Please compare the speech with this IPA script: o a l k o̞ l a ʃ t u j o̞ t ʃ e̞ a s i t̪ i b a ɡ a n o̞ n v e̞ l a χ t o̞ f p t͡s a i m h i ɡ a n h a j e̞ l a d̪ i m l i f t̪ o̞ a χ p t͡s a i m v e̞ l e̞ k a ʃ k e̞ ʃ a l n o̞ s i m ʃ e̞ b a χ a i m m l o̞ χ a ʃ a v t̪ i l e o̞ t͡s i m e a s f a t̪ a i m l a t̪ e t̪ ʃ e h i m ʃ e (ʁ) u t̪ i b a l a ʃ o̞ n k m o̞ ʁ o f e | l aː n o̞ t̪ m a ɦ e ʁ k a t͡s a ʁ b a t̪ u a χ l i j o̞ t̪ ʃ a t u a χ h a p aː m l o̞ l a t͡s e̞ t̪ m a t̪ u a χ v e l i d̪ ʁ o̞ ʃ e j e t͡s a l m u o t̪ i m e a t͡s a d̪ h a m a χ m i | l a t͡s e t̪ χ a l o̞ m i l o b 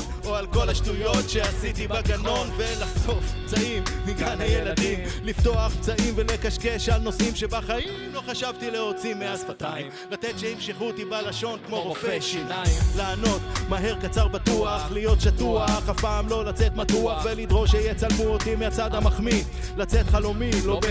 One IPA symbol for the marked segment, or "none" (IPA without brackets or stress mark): χ